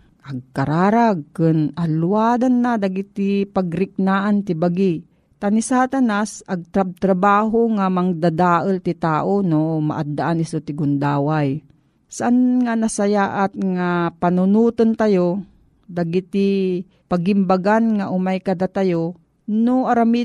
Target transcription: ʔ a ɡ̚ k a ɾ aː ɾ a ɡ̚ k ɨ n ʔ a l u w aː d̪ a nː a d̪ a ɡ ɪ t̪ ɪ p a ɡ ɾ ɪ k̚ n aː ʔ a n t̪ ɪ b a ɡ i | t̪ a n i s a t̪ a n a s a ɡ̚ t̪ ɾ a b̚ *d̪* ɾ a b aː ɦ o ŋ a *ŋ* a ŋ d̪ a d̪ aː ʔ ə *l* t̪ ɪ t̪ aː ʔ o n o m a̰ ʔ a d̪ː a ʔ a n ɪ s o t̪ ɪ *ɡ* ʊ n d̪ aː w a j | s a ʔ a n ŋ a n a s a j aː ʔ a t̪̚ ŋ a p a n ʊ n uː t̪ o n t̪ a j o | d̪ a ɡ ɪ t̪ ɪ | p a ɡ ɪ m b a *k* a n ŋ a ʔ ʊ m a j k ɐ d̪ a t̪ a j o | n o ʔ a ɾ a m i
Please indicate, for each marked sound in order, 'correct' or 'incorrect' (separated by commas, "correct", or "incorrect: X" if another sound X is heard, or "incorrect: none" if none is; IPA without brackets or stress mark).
incorrect: t̪, incorrect: m, correct, correct, incorrect: ɡ